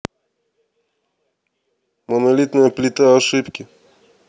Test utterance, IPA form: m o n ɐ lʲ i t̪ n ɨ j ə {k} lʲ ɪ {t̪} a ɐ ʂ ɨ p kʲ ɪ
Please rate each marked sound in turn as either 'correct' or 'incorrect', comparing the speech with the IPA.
incorrect: p, correct

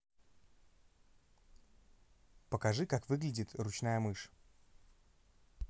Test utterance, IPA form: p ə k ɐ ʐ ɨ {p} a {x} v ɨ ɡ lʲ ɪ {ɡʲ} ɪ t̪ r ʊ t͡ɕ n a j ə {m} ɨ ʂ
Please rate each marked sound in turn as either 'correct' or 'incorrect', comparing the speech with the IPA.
incorrect: k, incorrect: k, incorrect: dʲ, correct

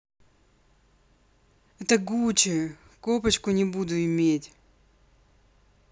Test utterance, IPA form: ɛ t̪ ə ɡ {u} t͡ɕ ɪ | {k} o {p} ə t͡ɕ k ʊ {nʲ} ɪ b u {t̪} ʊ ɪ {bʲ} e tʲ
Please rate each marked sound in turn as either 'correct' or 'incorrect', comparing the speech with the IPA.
correct, correct, correct, correct, incorrect: d̪, incorrect: mʲ

